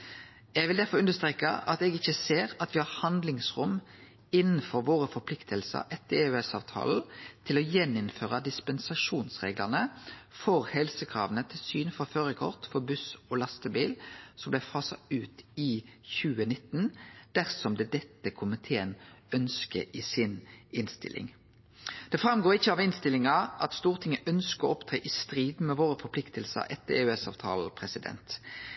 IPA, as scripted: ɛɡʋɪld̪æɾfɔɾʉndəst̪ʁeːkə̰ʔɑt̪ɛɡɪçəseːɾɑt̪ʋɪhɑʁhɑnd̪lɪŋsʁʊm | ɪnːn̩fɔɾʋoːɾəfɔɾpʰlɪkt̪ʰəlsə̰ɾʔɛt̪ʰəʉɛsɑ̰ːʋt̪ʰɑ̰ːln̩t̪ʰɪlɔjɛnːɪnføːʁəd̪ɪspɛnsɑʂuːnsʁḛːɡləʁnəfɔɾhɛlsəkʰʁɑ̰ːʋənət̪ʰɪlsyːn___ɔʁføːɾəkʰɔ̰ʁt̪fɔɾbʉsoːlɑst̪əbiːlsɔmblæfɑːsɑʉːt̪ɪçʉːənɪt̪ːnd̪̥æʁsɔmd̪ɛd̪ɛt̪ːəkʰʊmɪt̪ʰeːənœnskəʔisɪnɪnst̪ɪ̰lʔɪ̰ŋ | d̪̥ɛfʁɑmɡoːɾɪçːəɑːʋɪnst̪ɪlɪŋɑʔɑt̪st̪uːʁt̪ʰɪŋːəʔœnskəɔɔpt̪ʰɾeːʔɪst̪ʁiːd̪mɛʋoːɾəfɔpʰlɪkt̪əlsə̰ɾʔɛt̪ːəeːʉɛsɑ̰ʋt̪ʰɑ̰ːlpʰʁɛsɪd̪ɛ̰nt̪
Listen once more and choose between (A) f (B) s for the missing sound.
A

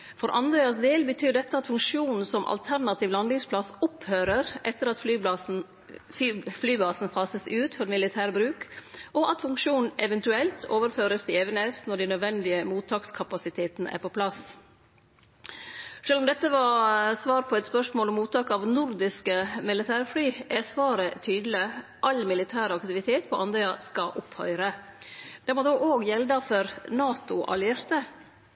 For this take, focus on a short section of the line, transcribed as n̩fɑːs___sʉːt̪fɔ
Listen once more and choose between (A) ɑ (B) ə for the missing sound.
B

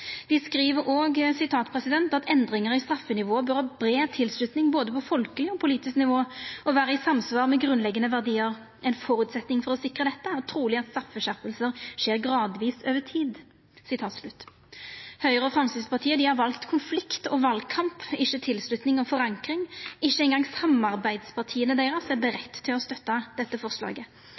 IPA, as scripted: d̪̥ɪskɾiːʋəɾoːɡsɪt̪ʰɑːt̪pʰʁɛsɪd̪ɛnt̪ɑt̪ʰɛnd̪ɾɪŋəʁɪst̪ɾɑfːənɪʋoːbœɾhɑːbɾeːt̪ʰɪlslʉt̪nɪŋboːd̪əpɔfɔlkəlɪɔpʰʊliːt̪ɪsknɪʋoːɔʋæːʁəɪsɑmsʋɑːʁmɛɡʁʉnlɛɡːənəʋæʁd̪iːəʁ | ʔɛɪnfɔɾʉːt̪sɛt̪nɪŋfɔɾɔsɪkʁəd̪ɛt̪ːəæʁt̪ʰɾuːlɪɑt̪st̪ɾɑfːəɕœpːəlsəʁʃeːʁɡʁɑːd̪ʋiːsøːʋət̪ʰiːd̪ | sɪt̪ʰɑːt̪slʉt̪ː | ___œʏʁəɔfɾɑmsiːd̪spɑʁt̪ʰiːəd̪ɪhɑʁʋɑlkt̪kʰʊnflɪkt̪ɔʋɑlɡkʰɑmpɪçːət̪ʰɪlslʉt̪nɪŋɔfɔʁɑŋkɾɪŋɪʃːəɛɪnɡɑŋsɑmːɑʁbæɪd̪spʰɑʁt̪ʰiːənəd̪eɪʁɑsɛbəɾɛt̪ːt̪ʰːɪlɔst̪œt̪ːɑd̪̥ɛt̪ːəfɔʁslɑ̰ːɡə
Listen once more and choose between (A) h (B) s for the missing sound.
A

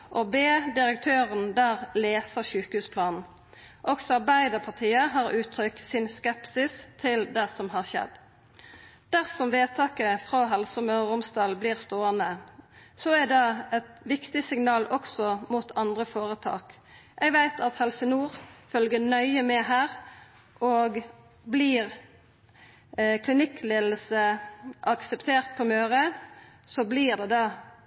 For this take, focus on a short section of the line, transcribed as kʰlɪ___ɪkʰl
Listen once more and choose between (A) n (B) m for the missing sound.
A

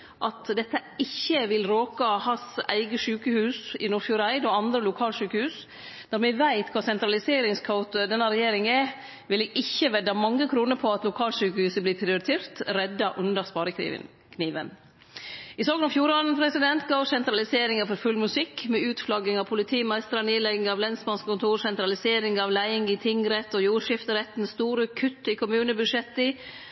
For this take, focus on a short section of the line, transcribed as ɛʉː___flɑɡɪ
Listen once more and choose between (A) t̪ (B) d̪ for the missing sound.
A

